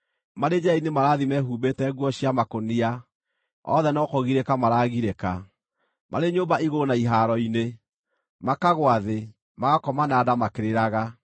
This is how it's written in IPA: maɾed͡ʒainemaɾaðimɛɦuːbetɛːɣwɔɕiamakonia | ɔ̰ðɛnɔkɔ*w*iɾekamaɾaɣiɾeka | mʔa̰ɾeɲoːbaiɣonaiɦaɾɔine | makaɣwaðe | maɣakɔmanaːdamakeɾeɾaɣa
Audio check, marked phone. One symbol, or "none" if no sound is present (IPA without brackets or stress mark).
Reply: ɣ